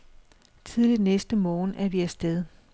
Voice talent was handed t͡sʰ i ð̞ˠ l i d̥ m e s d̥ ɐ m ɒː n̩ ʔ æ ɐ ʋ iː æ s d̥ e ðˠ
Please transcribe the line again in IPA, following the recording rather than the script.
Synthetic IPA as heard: t͡sʰ i ð̞ˠ l i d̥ n e s d̥ ə m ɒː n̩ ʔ æ ɐ ʋ i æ s d̥ e ðˠ